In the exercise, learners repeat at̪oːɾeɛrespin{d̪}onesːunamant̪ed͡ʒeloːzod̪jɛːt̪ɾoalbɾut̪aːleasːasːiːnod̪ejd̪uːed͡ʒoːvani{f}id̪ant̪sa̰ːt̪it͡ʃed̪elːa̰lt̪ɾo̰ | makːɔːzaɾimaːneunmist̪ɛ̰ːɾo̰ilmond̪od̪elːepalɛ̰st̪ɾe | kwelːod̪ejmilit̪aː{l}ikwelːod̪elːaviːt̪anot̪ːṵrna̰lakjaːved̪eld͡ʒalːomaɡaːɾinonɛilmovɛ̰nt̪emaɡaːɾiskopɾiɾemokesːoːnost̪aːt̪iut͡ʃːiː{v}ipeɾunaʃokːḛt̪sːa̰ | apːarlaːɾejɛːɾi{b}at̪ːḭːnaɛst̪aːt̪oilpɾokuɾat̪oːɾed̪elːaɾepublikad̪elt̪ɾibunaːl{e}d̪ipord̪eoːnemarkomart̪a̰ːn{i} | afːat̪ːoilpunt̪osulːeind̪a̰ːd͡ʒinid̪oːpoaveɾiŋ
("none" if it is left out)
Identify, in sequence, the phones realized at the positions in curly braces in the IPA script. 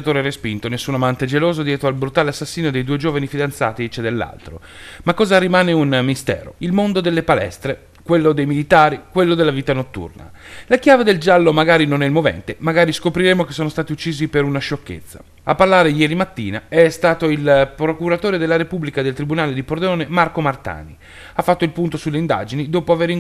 t̪, f, ɾ, z, m, e, i

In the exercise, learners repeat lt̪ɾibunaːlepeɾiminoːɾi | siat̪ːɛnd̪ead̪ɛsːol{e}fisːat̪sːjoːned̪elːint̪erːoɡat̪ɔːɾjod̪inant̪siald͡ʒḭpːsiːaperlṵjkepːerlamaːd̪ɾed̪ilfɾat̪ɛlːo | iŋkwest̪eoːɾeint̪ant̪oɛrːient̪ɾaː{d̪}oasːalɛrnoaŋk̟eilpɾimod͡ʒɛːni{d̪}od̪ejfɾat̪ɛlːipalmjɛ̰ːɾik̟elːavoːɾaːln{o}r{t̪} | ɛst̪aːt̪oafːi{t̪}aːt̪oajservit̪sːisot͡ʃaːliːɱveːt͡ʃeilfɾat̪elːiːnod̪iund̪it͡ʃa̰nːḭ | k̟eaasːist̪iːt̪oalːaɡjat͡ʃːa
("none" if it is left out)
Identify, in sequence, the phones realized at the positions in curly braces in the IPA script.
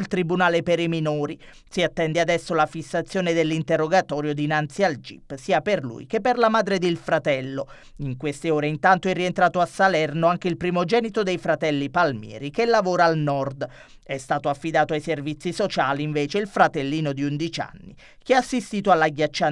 a, t̪, t̪, ɔ, d̪, d̪

